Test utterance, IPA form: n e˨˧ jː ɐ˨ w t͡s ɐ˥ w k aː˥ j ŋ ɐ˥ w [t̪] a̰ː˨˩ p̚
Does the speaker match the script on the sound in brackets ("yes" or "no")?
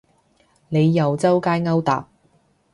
yes